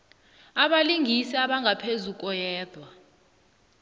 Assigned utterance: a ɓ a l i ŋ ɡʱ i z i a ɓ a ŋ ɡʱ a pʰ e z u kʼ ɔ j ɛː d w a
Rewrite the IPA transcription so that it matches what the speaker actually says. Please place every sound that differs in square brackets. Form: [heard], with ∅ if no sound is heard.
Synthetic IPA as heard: a ɓ a l i ŋ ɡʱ i [s] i a ɓ a ŋ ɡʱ a pʰ e z u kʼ ɔ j ɛː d w a